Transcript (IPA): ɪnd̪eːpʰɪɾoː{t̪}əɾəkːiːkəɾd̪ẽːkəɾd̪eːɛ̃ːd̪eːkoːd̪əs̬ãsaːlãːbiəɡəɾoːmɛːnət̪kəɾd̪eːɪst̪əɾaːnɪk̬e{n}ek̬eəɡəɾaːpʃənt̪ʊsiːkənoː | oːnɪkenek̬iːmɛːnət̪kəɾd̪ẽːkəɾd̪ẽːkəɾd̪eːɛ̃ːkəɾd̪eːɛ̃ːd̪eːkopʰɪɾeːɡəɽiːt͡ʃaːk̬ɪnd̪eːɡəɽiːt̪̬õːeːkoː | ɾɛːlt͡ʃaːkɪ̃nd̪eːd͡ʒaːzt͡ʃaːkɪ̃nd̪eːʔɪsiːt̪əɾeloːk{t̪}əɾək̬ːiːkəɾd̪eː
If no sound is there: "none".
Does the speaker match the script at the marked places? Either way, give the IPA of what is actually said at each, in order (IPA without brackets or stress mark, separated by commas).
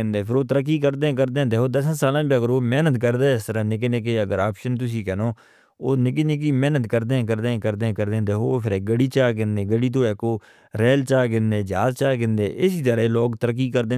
t̪, n, t̪